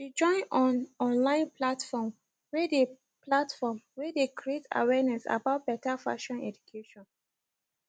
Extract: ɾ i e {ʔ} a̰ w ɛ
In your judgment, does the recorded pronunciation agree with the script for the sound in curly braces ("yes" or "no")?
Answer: no